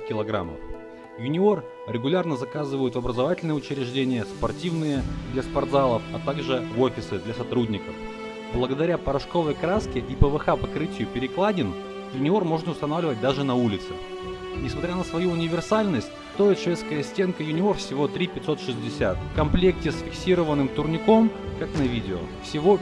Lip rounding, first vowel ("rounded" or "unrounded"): unrounded